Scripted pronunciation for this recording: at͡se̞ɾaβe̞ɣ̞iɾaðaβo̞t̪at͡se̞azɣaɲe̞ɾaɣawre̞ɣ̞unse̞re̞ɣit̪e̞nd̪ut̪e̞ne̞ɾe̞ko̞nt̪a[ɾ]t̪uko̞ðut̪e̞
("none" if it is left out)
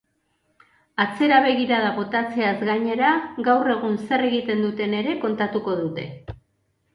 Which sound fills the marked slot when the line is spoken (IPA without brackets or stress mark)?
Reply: none